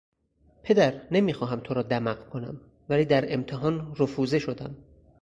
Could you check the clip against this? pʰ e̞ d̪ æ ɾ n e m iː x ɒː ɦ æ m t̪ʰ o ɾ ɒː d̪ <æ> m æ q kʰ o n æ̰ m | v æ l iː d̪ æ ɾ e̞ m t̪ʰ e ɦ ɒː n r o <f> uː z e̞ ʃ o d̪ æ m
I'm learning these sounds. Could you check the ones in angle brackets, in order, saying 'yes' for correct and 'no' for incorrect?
yes, yes

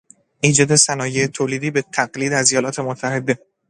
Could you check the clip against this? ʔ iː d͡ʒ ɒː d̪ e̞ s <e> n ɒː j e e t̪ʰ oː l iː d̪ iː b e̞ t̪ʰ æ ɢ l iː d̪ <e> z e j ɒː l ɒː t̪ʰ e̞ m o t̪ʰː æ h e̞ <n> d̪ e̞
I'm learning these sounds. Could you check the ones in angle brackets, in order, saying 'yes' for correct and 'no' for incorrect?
no, no, no

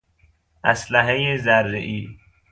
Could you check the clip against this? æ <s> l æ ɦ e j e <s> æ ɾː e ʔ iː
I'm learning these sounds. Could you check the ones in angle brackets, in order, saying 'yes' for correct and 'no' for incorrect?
yes, no

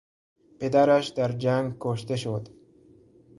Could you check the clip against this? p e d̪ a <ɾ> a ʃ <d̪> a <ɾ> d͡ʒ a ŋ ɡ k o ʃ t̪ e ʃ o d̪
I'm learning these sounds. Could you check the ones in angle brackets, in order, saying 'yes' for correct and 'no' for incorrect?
yes, yes, yes

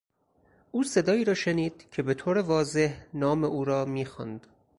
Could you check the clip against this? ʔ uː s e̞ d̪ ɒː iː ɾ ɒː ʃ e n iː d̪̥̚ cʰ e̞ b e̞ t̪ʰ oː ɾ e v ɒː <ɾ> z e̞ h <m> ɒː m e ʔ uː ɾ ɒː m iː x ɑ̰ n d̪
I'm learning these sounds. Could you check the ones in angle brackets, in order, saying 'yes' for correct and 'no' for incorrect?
no, no

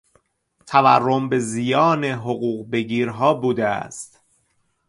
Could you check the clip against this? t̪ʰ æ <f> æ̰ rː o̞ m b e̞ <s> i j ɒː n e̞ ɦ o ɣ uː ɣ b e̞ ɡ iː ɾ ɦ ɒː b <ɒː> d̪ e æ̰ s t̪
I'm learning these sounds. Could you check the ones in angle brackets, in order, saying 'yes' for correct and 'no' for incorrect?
no, no, no

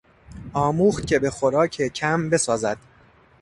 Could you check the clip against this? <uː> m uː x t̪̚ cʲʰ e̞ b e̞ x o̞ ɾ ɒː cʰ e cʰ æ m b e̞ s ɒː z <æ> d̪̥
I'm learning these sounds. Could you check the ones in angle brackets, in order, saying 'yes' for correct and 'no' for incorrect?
no, yes

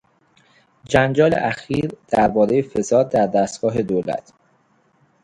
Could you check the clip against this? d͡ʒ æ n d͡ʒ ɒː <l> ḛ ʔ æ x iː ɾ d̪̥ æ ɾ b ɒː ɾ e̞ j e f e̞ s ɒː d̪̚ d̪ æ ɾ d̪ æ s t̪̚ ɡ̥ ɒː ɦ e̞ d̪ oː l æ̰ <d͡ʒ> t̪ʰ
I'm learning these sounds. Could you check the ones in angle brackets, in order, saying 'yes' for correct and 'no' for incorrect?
yes, no

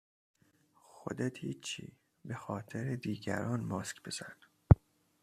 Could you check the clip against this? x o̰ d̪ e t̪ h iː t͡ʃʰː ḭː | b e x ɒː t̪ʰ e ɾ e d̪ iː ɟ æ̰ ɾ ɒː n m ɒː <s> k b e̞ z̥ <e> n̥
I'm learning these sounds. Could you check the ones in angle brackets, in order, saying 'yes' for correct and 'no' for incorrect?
yes, no

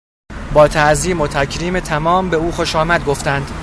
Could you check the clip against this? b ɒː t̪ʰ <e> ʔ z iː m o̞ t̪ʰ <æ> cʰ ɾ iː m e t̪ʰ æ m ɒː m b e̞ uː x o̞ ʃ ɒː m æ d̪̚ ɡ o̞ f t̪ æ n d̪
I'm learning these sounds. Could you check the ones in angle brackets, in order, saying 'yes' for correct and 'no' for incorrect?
no, yes

